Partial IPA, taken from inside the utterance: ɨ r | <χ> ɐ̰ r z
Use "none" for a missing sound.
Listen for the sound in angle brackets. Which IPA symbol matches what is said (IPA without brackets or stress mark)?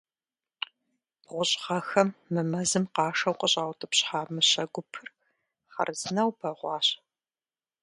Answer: χ